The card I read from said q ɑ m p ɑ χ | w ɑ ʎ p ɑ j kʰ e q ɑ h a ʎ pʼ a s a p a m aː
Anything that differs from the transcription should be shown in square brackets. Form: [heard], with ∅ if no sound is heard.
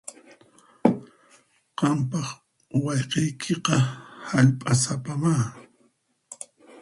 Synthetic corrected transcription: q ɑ m p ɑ χ | w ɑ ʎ [q] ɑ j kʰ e q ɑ h a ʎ pʼ a s a p a m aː